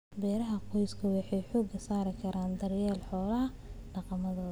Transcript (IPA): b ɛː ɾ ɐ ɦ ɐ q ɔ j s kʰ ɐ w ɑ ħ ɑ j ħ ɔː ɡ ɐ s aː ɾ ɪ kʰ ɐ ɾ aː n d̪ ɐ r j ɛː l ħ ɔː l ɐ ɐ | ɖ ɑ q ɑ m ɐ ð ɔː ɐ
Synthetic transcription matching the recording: b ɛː ɾ ɐ ɦ ɐ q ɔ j s kʰ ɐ w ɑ ħ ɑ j ħ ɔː ɡ ɐ s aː ɾ ɪ kʰ ɐ ɾ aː n d̪ ɐ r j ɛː l ħ ɔː l ɐ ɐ | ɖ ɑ q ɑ m ɐ ð ɔː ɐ